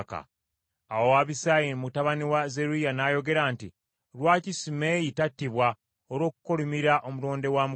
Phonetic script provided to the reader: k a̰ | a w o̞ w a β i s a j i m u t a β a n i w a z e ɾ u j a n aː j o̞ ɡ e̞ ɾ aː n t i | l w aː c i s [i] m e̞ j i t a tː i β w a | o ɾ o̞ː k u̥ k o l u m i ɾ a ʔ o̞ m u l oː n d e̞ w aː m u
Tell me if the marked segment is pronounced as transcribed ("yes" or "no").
yes